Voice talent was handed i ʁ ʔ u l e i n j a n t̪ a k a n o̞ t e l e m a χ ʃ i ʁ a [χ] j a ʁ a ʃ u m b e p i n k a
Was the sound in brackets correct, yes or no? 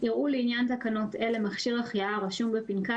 yes